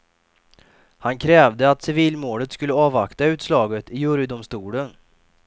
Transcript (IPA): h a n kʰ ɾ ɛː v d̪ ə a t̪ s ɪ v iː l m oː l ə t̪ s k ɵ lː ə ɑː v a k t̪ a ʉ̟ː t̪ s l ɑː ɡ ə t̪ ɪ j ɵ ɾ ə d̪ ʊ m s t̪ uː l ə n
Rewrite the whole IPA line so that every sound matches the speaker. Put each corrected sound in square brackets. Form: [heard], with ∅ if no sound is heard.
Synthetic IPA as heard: h a n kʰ ɾ ɛː v d̪ ə a t̪ s ɪ v iː l m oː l ə t̪ s k ɵ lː ə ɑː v a k t̪ a ʉ̟ː t̪ s l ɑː ɡ ə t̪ ɪ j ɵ ɾ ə d̪ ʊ m s t̪ uː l ə n